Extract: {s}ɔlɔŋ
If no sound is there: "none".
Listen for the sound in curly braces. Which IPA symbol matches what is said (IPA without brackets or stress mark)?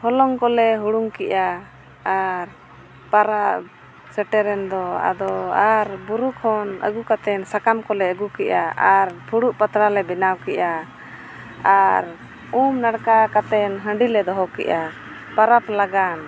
h